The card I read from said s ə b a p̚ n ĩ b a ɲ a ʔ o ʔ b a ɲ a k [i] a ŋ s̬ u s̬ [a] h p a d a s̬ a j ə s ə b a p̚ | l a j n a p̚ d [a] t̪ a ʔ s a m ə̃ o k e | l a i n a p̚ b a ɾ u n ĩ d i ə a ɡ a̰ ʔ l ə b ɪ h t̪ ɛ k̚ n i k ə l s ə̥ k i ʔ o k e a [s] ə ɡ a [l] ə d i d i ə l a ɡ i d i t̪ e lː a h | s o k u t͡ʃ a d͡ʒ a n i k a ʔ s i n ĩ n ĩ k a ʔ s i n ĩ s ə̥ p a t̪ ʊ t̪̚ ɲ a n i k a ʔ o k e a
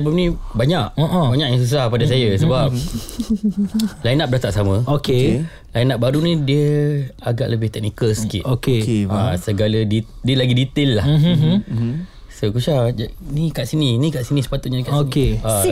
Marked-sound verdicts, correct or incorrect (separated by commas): incorrect, correct, correct, correct, correct